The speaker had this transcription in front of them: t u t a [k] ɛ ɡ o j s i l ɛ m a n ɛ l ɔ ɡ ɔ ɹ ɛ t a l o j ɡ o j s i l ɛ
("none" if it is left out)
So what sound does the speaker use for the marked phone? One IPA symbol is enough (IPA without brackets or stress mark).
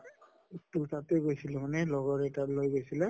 t